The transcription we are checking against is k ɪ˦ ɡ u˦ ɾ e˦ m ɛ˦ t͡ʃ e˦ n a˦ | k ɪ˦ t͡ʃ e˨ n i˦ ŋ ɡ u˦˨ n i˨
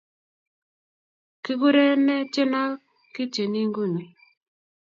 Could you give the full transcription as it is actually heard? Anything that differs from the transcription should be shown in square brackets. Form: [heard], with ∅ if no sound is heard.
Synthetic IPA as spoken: k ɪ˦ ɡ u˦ ɾ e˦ [n] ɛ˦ t͡ʃ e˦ n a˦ | k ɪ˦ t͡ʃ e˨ n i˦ ŋ ɡ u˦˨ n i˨